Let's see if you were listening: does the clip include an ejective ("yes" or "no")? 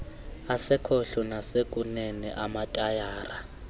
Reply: yes